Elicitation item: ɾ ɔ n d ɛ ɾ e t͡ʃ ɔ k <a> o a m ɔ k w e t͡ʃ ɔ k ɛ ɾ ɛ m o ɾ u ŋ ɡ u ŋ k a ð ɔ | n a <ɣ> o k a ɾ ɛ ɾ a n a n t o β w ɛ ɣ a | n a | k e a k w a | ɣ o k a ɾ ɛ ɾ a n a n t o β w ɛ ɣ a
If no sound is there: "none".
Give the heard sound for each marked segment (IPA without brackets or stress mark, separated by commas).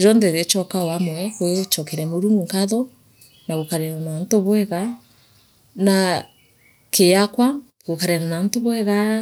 a, ɣ